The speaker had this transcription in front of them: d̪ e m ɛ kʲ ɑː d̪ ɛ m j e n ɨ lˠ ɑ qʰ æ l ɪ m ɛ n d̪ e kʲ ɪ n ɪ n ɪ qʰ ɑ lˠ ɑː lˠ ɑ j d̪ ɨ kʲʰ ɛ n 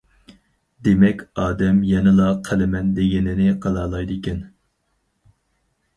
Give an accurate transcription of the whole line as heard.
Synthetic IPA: d̪ e m ɛ kʲ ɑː d̪ ɛ m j ɛ n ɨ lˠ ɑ qʰ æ l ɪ m ɛ n d̪ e ɡʲ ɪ n ɪ n ɪ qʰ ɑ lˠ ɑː lˠ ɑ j d̪ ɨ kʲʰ ɛ n